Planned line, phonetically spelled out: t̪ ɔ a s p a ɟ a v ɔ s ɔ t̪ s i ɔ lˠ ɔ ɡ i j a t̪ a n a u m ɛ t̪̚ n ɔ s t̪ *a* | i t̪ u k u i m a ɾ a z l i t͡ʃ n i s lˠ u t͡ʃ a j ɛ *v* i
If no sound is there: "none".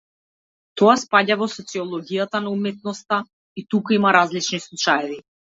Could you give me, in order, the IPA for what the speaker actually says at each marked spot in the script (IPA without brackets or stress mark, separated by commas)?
a, v